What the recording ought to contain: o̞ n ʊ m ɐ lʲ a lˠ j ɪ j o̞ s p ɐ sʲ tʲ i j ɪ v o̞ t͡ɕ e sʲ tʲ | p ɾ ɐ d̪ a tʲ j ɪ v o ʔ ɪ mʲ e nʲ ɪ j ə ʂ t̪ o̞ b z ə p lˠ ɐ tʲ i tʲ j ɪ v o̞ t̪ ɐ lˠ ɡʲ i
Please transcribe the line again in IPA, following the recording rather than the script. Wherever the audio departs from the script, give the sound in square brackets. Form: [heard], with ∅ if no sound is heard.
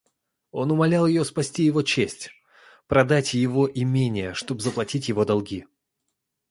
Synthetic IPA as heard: o̞ n ʊ m ɐ lʲ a lˠ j ɪ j o̞ s p ɐ sʲ tʲ i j ɪ v o̞ t͡ɕ e sʲ tʲ | p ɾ ɐ d̪ a tʲ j ɪ v o ʔ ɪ mʲ e nʲ ɪ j ə ʂ t̪ o̞ b z ə p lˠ ɐ tʲ i tʲ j ɪ v o̞ [d̪] ɐ lˠ ɡʲ i